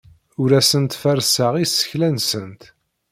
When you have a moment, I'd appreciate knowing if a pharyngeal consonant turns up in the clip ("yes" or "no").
no